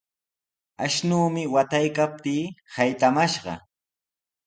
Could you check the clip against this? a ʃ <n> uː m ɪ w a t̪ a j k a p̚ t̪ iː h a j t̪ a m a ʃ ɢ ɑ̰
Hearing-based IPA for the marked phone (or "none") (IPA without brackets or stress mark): n